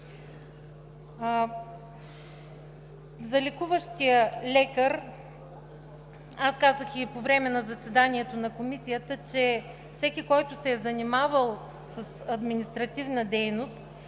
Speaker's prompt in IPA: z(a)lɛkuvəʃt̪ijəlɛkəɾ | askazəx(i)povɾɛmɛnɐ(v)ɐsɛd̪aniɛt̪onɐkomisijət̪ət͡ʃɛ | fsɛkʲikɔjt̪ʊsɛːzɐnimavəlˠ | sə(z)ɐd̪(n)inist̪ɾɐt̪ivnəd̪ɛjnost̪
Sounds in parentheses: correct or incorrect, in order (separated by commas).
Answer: incorrect, correct, incorrect, incorrect, incorrect